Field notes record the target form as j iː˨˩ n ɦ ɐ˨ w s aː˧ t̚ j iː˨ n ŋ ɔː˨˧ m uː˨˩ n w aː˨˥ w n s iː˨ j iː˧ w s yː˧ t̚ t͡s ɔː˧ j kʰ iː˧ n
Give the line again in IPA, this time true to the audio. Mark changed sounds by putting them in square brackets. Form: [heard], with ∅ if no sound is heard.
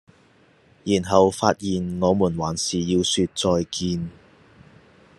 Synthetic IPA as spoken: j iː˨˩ n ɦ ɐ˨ w [f] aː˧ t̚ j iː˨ n ŋ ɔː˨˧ m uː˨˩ n w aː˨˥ [∅] n s iː˨ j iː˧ w s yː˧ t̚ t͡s ɔː˧ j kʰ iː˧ n